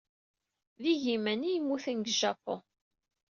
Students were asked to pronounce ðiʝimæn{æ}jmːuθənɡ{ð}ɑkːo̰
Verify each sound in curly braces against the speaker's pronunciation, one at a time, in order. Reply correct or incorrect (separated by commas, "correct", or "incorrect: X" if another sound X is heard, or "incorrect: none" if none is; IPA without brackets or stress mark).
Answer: incorrect: i, incorrect: ʒ